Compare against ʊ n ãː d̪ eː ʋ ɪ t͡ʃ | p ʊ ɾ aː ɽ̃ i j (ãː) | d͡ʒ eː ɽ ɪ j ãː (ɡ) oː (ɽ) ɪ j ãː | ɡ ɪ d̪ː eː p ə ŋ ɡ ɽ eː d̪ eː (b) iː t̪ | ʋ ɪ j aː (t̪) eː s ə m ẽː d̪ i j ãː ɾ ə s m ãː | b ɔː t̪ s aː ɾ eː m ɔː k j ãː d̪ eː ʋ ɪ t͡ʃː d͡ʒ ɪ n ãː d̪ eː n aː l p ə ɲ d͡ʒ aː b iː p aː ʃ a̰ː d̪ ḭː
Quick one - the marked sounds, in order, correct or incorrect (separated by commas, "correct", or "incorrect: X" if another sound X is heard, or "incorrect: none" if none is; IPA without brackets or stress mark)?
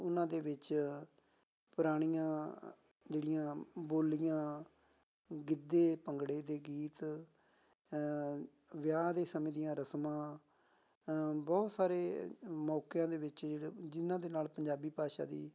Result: correct, incorrect: b, incorrect: l, incorrect: ɡ, incorrect: d̪